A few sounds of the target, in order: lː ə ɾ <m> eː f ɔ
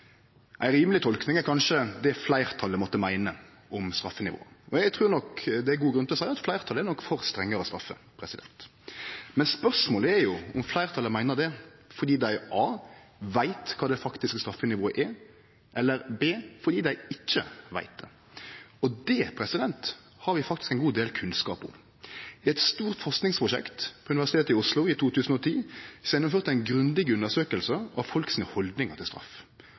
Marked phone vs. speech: incorrect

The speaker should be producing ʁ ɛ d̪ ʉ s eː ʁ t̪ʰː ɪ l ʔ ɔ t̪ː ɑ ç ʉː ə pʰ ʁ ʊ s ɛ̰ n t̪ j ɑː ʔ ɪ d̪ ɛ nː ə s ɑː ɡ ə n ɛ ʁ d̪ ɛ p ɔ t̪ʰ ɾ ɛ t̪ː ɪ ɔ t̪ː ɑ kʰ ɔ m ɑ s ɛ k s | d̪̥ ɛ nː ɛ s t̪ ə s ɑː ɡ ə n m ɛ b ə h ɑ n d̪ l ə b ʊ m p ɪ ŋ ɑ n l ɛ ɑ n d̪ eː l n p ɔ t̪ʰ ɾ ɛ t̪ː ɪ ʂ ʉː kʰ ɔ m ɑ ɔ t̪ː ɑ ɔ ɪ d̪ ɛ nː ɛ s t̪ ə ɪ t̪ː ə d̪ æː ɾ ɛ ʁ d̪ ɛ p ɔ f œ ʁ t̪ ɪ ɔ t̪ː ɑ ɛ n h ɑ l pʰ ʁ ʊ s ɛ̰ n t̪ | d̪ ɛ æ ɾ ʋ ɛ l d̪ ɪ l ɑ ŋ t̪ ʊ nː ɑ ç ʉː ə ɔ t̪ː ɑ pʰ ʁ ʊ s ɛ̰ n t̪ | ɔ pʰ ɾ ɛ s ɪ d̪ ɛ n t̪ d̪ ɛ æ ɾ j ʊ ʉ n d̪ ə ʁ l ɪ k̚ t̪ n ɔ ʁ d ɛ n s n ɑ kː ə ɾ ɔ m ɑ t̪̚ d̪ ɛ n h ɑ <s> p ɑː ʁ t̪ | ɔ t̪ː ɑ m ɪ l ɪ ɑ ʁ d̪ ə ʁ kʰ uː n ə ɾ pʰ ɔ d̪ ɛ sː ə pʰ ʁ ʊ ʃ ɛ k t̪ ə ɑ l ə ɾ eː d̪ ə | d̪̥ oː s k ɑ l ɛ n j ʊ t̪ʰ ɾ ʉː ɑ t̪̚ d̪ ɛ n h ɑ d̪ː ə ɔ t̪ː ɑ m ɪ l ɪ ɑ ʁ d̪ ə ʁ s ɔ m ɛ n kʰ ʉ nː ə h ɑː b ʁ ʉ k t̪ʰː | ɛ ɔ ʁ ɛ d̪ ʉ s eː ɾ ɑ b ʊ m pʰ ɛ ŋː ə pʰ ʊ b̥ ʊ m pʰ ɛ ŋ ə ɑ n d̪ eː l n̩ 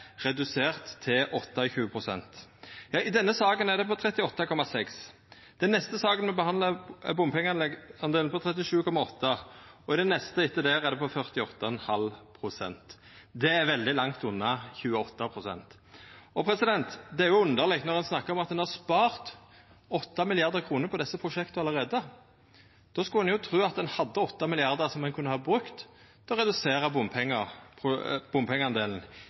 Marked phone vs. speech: correct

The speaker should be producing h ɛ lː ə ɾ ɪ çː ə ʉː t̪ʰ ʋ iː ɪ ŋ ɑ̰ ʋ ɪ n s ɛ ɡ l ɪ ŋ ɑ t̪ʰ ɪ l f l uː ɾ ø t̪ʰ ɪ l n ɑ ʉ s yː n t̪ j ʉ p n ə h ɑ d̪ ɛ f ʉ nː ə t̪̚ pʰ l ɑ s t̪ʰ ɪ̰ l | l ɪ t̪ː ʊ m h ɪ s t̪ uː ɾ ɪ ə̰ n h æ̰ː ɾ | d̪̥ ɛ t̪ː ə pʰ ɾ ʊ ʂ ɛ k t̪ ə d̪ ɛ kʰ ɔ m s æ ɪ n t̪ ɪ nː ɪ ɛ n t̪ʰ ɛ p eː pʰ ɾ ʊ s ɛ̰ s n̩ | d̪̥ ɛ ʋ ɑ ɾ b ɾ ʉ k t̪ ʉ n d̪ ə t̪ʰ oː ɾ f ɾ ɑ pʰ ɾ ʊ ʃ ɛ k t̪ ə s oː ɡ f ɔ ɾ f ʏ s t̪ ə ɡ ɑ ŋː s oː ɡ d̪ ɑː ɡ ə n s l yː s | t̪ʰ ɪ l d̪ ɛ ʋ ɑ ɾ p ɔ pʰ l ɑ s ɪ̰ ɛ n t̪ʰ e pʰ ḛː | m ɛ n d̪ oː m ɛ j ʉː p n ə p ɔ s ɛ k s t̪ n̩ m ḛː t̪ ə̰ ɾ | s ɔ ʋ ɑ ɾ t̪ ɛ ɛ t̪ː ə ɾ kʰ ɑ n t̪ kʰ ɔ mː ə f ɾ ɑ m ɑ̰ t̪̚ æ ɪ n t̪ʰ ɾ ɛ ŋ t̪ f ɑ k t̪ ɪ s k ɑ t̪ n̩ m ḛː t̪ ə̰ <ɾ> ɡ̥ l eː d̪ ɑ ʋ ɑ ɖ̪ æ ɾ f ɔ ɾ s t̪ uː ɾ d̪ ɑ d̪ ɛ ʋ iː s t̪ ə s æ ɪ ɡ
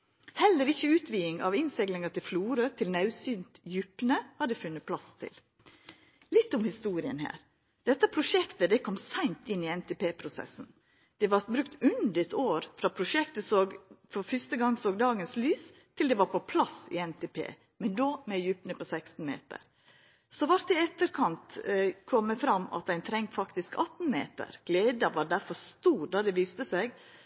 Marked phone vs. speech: correct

